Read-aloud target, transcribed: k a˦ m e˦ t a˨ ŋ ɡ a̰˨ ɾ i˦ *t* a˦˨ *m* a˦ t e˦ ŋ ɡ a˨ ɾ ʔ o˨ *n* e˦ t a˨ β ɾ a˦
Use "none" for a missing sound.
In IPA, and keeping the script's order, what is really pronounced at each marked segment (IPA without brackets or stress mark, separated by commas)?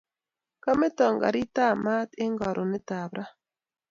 t, m, n